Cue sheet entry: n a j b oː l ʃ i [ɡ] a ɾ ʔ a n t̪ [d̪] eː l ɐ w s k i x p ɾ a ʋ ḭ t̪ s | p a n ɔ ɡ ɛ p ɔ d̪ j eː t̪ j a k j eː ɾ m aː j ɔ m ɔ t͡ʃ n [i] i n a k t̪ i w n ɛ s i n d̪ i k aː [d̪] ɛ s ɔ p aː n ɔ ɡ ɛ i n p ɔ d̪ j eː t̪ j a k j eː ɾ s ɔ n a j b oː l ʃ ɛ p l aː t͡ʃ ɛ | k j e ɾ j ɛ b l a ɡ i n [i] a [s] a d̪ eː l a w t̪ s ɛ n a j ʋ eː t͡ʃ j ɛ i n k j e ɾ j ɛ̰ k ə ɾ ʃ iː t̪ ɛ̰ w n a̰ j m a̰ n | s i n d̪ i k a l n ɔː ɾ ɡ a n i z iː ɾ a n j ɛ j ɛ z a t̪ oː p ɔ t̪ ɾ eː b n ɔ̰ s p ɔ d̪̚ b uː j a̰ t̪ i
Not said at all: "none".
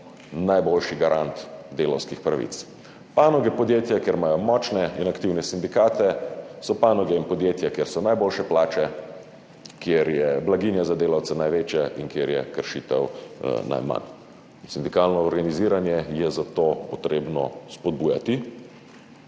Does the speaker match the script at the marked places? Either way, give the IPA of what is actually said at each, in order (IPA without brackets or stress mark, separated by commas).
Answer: ɡ, d̪, ɛ, t̪, j, z